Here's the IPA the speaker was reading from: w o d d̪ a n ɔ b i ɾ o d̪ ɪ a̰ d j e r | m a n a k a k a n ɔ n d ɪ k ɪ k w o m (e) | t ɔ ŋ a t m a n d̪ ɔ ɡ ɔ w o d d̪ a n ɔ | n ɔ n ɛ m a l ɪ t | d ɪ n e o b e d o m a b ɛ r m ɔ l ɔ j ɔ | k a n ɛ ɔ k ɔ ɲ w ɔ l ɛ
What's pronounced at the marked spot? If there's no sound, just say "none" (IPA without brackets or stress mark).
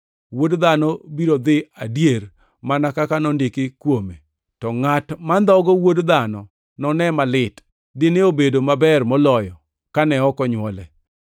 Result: e